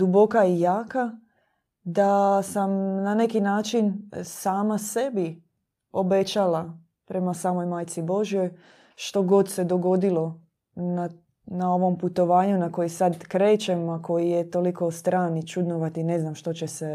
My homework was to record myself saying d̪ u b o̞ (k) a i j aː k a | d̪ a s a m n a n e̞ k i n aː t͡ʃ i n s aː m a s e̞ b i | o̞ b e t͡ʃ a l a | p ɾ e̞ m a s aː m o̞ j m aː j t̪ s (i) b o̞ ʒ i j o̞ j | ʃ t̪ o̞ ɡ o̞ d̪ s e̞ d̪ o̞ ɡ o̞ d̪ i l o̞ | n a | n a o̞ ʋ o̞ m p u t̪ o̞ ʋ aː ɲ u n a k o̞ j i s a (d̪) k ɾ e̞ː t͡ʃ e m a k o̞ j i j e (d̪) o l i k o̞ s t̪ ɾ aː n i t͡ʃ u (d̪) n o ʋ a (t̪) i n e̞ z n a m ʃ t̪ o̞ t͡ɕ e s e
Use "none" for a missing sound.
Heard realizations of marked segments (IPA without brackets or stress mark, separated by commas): k, i, d̪, t̪, d̪, t̪